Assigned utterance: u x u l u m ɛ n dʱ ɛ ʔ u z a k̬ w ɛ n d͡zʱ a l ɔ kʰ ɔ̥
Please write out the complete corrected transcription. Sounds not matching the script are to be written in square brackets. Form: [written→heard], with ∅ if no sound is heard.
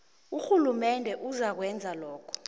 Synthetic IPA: u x u l u m ɛ n dʱ ɛ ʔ u z a k̬ w ɛ n d͡zʱ a l [ɔ→ɔː] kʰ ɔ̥